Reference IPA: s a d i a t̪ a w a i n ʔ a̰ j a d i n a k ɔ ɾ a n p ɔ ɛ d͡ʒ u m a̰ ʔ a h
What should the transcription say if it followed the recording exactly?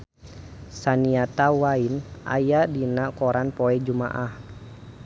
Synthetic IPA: s a n i a t̪ a w a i n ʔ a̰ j a d i n a k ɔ ɾ a n p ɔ ɛ d͡ʒ u m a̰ ʔ a h